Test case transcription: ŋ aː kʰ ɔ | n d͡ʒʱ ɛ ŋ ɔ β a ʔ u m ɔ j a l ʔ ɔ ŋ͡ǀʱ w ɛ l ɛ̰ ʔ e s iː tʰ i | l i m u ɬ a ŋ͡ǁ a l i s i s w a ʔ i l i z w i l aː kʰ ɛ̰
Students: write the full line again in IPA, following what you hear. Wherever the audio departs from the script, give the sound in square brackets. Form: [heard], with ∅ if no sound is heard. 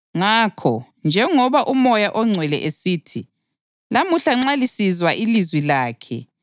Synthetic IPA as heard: ŋ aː kʰ ɔ | n d͡ʒʱ ɛ ŋ ɔ β a ʔ u m ɔ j a [∅] ʔ ɔ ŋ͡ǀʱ w ɛ l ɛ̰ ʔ e s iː tʰ i | l [a] m u ɬ a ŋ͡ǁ a l i s i [z] w a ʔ i l i z w i l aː kʰ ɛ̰